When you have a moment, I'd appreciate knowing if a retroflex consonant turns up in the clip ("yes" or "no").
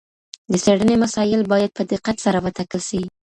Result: yes